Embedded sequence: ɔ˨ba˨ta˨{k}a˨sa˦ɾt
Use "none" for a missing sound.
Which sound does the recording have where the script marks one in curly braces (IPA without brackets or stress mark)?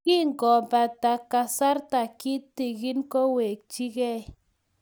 k